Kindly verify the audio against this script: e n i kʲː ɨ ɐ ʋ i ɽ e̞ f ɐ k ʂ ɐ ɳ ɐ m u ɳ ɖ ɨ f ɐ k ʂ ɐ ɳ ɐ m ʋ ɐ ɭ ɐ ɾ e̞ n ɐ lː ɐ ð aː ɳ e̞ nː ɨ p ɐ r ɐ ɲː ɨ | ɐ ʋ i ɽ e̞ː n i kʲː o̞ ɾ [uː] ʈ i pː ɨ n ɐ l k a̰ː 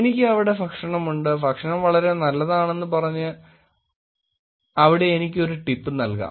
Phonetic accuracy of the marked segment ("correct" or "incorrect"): incorrect